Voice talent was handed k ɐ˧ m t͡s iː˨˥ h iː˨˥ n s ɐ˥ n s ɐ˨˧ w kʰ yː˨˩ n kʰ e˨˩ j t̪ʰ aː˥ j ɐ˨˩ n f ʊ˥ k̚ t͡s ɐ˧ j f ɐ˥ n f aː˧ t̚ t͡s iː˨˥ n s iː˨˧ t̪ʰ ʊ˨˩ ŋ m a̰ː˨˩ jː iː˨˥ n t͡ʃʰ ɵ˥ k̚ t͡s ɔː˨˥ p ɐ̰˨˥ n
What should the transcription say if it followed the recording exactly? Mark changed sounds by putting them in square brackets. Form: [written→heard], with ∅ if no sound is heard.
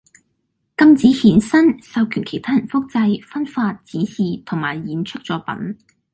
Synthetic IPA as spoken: k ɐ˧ m t͡s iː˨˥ h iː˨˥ n s ɐ˥ n s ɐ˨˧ w kʰ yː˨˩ n kʰ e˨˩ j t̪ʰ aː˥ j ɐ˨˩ n f ʊ˥ k̚ t͡s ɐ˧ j f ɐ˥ n f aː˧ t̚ t͡s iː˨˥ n s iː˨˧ t̪ʰ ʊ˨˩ ŋ m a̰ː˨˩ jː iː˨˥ n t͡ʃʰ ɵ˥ k̚ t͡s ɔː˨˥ p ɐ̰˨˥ n